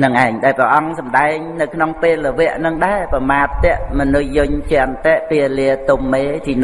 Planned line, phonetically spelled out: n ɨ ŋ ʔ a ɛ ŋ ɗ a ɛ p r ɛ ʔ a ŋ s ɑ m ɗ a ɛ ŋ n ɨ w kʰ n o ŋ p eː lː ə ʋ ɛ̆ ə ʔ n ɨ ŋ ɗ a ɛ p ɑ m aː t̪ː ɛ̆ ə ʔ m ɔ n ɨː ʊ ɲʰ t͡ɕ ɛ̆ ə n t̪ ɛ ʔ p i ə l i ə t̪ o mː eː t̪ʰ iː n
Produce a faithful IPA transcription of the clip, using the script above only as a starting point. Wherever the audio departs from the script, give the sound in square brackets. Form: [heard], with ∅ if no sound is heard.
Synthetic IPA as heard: n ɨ ŋ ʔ a ɛ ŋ ɗ a ɛ p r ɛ ʔ [ɑ] ŋ s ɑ m ɗ a ɛ ŋ n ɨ w kʰ n o ŋ p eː lː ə ʋ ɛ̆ ə ʔ n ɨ ŋ ɗ a ɛ p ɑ m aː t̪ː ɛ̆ ə ʔ m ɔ n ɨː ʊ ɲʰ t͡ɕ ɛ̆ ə n t̪ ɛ ʔ p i ə l i ə t̪ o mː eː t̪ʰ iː n